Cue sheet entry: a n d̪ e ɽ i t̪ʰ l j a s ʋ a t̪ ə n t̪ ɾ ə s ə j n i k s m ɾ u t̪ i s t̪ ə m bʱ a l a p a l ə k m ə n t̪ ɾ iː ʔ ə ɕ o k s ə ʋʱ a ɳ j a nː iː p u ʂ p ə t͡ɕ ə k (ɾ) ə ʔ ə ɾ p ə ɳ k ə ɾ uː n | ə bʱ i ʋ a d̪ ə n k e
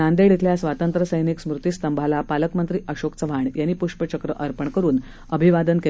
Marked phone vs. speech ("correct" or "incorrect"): correct